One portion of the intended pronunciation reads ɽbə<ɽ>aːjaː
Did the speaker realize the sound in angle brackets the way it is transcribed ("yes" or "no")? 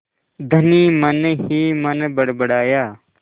yes